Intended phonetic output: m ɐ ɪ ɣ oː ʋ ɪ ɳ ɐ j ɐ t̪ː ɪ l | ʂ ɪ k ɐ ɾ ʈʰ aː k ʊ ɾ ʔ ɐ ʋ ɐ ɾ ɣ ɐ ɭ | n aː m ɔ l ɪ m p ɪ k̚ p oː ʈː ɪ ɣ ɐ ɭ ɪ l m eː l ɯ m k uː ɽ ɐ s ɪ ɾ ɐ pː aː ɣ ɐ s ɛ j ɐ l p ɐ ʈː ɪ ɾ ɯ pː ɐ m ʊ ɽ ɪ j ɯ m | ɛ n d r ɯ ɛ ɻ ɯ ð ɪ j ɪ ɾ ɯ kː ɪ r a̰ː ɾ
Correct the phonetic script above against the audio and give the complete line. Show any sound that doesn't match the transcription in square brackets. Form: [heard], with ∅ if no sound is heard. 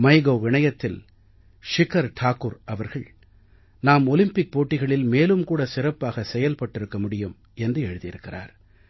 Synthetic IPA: m ɐ ɪ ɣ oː ʋ ɪ ɳ ɐ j ɐ t̪ː ɪ l | ʂ ɪ k ɐ ɾ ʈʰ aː k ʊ ɾ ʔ ɐ ʋ ɐ ɾ ɣ ɐ ɭ | n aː m ɔ l ɪ m p ɪ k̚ p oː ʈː ɪ ɣ ɐ ɭ ɪ l m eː l ɯ m k uː ɽ ɐ s ɪ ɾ ɐ pː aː ɣ ɐ s ɛ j ɐ l p ɐ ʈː ɪ ɾ ɯ [kː] ɐ m ʊ ɽ ɪ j ɯ m | ɛ n d r ɯ ɛ ɻ ɯ ð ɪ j ɪ ɾ ɯ kː ɪ r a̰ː ɾ